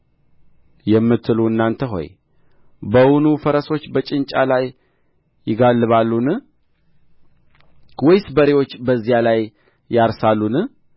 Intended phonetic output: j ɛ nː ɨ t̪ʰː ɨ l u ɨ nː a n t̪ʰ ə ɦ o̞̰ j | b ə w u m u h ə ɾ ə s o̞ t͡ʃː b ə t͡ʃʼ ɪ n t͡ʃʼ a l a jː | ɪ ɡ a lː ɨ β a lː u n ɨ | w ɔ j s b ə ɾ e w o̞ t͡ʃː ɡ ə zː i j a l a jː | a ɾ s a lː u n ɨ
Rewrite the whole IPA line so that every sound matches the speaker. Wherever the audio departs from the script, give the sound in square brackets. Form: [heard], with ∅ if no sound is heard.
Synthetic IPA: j ɛ [mː] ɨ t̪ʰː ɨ l u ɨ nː a n t̪ʰ ə ɦ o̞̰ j | b ə w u [n] u [f] ə ɾ ə s o̞ t͡ʃː b ə t͡ʃʼ ɪ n t͡ʃʼ a l a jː | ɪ ɡ a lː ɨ β a lː u n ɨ | w ɔ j s b ə ɾ e w o̞ t͡ʃː [b] ə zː i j a l a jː | a ɾ s a lː u n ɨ